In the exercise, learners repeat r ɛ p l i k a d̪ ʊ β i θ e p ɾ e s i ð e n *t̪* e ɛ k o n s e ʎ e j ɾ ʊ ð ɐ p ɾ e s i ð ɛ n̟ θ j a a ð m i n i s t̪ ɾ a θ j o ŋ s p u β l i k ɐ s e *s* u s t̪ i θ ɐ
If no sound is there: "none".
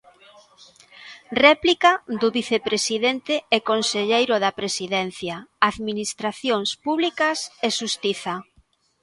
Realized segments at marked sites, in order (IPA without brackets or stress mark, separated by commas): t̪, ʃ